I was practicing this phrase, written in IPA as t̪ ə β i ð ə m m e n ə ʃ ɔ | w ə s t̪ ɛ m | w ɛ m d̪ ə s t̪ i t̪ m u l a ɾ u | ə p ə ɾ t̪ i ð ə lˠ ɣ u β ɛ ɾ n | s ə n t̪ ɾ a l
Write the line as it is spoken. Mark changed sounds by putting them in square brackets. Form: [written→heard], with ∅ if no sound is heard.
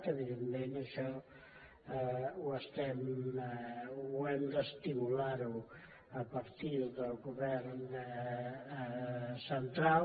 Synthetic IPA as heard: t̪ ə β i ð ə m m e n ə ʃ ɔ | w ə s t̪ ɛ m | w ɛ m d̪ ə s t̪ i [t̪→∅] m u l a ɾ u | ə p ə ɾ t̪ i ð ə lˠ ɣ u β ɛ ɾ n | s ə n t̪ ɾ a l